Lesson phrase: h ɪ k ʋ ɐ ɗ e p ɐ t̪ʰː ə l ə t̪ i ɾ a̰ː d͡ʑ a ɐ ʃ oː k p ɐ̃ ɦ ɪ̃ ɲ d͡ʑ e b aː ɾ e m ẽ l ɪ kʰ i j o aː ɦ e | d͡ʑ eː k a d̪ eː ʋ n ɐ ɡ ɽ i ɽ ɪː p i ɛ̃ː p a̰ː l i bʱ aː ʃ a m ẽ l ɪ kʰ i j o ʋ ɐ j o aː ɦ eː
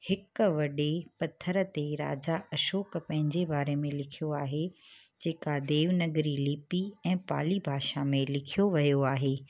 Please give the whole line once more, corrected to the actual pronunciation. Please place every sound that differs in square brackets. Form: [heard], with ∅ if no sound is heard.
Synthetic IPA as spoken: h ɪ k ʋ ɐ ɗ e p ɐ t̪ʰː ə [ɾ] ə t̪ [e] ɾ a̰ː d͡ʑ a ɐ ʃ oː k p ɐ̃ ɦ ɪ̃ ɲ d͡ʑ e b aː ɾ e m ẽ l ɪ kʰ i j o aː ɦ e | d͡ʑ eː k a d̪ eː ʋ n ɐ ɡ [ɾ] i [l] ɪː p i ɛ̃ː p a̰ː l i bʱ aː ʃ a m ẽ l ɪ kʰ i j o ʋ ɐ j o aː ɦ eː